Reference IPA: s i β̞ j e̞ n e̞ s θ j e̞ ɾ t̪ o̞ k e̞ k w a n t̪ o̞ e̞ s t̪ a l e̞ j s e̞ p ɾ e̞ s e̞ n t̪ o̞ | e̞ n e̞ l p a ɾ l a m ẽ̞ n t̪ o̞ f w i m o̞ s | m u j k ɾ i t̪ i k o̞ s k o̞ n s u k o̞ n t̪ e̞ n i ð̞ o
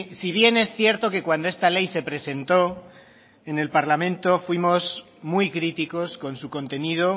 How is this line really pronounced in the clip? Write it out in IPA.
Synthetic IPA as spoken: s i β̞ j e̞ n e̞ s θ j e̞ ɾ t̪ o̞ k e̞ k w a n d̪ o̞ e̞ s t̪ a l e̞ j s e̞ p ɾ e̞ s e̞ n t̪ o̞ | e̞ n e̞ l p a ɾ l a m ẽ̞ n t̪ o̞ f w i m o̞ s | m u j k ɾ i t̪ i k o̞ s k o̞ n s u k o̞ n t̪ e̞ n i ð̞ o

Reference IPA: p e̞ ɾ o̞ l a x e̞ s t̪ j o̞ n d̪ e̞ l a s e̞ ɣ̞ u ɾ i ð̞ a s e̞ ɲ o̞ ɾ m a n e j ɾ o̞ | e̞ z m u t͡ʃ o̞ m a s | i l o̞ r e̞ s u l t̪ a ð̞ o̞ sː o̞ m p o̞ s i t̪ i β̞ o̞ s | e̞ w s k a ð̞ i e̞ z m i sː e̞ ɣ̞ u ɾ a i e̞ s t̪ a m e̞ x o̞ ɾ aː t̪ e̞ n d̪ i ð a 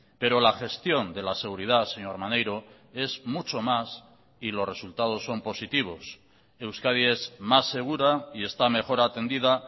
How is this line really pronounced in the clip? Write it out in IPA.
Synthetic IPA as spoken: p e̞ ɾ o̞ l a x e̞ s t̪ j o̞ n d̪ e̞ l a s e̞ ɣ̞ u ɾ i ð̞ a s e̞ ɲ o̞ ɾ m a n e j ɾ o̞ | e̞ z m u t͡ʃ o̞ m a s | i l o̞ r e̞ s u l t̪ a ð̞ o̞ sː o̞ m p o̞ s i t̪ i β̞ o̞ s | e̞ w s k a ð̞ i e̞ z m a sː e̞ ɣ̞ u ɾ a i e̞ s t̪ a m e̞ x o̞ ɾ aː t̪ e̞ n d̪ i ð a

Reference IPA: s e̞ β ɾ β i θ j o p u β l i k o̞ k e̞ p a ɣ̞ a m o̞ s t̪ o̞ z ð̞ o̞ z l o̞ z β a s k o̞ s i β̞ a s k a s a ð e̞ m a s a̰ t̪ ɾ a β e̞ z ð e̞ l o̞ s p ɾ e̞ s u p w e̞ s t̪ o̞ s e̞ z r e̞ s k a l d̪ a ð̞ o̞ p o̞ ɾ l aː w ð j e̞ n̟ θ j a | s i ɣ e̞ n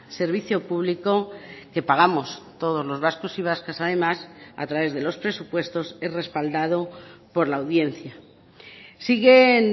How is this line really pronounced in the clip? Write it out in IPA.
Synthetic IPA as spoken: s e̞ ɾ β i θ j o p u β l i k o̞ k e̞ p a ɣ̞ a m o̞ s t̪ o̞ ð̞ o̞ z l o̞ z β a s k o̞ s i β̞ a s k a s a ð e̞ m a s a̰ t̪ ɾ a β e̞ z ð e̞ l o̞ s p ɾ e̞ s u p w e̞ s t̪ o̞ s e̞ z r e̞ s p a l d̪ a ð̞ o̞ p o̞ ɾ l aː w ð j e̞ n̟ θ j a | s i ɣ e̞ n

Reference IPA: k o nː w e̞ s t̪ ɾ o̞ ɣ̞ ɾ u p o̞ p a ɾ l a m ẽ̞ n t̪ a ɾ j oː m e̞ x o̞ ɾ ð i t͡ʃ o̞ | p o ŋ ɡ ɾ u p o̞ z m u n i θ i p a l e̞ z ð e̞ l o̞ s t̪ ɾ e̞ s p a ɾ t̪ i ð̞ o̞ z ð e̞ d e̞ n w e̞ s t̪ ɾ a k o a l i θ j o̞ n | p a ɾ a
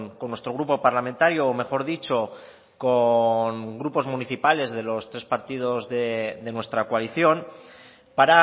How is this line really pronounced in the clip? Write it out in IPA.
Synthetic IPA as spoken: k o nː w e̞ s t̪ ɾ o̞ ɣ̞ ɾ u p o̞ p a ɾ l a m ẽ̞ n t̪ a ɾ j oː m e̞ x o̞ ɾ ð i t͡ʃ o̞ | k o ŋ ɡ ɾ u p o̞ z m u n i θ i p a l e̞ z ð e̞ l o̞ s t̪ ɾ e̞ s p a ɾ t̪ i ð̞ o̞ z ð e̞ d e̞ n w e̞ s t̪ ɾ a k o a l i θ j o̞ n | p a ɾ a

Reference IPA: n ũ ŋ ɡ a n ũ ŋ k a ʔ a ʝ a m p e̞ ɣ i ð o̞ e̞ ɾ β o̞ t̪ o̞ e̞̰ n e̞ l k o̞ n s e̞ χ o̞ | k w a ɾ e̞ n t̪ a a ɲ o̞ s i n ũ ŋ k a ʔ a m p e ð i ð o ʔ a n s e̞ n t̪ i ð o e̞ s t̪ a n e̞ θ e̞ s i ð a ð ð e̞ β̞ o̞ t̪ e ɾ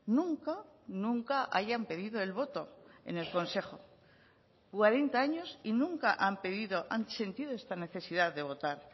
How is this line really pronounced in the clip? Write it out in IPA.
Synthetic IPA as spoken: n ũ ŋ k a n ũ ŋ k a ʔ a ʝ a m p e̞ ð i ð o̞ e̞ l β o̞ t̪ o̞ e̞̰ n e̞ l k o̞ n s e̞ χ o̞ | k w a ɾ e̞ n t̪ a a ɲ o̞ s i n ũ ŋ k a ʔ a m p e ð i ð o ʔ a n s e̞ n t̪ i ð o e̞ s t̪ a n e̞ θ e̞ s i ð a ð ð e̞ β̞ o̞ t̪ a ɾ

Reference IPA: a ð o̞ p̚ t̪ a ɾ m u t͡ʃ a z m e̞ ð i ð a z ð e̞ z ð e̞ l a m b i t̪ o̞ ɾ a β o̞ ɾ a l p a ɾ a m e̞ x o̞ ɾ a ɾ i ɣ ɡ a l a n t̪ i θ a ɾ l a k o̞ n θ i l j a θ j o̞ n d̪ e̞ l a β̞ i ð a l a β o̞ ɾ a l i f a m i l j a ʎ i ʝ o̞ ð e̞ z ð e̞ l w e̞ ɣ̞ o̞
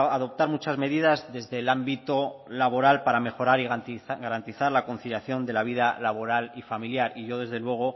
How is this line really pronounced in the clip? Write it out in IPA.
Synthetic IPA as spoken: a ð o̞ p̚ t̪ a ɾ m u t͡ʃ a z m e̞ ð i ð a z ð e̞ z ð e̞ l a m b i t̪ o̞ l a β o̞ ɾ a l p a ɾ a m e̞ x o̞ ɾ a ɾ i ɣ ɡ a ɾ a n t̪ i θ a ɾ l a k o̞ n θ i l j a θ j o̞ n d̪ e̞ l a β̞ i ð a l a β o̞ ɾ a l i f a m i l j a ɾ i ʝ o̞ ð e̞ z ð e̞ l w e̞ ɣ̞ o̞

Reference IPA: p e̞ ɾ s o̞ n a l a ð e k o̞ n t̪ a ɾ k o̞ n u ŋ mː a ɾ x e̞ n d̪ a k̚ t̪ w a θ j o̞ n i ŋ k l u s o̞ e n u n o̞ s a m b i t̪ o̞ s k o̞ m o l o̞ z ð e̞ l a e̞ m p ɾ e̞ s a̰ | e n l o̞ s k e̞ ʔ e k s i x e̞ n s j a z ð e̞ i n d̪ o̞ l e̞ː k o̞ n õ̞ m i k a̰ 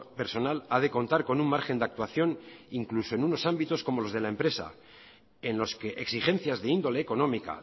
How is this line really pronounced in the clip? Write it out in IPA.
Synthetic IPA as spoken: p e̞ ɾ s o̞ n a l a ð e k o̞ n t̪ a ɾ k o̞ n u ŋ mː a ɾ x e̞ n d̪ a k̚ t̪ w a θ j o̞ n i ŋ k l u s o̞ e n u n o̞ s a m b i t̪ o̞ s k o̞ m o l o̞ z ð e̞ l a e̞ m p ɾ e̞ s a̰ | e n l o̞ s k e̞ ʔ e k s i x e̞ n θ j a z ð e̞ i n d̪ o̞ l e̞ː k o̞ n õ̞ m i k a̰

